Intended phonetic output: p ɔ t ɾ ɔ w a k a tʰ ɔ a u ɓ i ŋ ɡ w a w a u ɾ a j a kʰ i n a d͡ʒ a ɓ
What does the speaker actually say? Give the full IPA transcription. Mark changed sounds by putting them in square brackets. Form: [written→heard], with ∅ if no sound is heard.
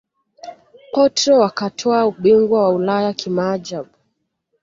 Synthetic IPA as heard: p ɔ t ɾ ɔ w a k a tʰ ɔ a u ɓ i ŋ ɡ w a w a u [ɾ→l] a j a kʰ i [n→m] a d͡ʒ a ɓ